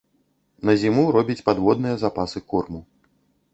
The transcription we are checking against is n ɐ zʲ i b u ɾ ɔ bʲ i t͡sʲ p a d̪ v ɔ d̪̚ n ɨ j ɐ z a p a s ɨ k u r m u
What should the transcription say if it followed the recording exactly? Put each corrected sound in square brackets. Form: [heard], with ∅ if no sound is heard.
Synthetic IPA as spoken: n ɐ zʲ i [m] u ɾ ɔ bʲ i t͡sʲ p a d̪ v ɔ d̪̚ n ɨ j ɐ z a p a s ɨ k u r m u